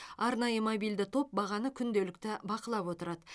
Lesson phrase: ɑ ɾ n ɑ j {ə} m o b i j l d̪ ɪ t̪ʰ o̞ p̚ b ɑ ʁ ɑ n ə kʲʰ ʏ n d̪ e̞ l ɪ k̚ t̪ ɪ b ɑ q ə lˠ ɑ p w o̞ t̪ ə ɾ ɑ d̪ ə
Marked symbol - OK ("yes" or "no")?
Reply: yes